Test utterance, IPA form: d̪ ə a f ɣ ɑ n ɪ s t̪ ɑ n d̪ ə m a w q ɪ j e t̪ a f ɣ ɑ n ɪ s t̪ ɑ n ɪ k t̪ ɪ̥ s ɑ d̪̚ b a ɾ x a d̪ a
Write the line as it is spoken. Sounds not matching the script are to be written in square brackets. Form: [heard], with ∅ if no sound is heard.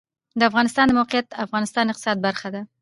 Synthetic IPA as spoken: d̪ ə a f ɣ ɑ n ɪ s t̪ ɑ n d̪ ə m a w q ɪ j [a] t̪ a f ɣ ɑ n ɪ s t̪ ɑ n ɪ [q] t̪ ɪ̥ s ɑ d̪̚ b a ɾ x a d̪ a